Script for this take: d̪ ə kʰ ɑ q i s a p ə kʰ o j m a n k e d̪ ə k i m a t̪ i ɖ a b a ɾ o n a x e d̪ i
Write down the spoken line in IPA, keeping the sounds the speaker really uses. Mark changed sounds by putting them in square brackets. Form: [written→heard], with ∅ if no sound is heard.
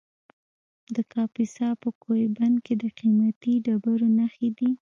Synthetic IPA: d̪ ə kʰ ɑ [q→p] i s [a→ɑ] p ə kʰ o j [m→b] a n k e d̪ ə [k→q] i m a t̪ i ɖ a b a ɾ o n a x e d̪ i